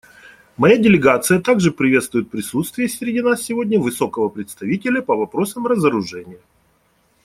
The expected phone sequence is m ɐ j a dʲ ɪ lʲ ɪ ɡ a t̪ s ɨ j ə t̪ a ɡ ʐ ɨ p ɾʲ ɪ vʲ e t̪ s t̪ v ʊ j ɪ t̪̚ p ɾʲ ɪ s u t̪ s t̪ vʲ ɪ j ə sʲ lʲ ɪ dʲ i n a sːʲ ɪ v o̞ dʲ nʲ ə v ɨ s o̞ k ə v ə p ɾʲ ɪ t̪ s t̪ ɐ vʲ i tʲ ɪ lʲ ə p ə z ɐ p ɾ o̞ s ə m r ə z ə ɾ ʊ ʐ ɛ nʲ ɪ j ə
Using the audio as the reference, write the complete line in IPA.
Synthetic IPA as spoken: m ɐ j a dʲ ɪ lʲ ɪ ɡ a t̪ s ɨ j ə t̪ a ɡ ʐ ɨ p ɾʲ ɪ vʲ e t̪ s t̪ v ʊ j ɪ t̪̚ p ɾʲ ɪ s u t̪ s t̪ vʲ ɪ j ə sʲ ɾʲ ɪ dʲ i n a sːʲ ɪ v o̞ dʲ nʲ ə v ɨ s o̞ k ə v ə p ɾʲ ɪ t̪ s t̪ ɐ vʲ i tʲ ɪ lʲ ə p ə v ɐ p ɾ o̞ s ə m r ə z ə ɾ ʊ ʐ ɛ nʲ ɪ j ə